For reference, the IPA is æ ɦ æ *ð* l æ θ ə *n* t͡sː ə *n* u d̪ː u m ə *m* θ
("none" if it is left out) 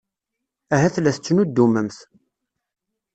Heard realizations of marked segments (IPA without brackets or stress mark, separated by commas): θ, none, n, m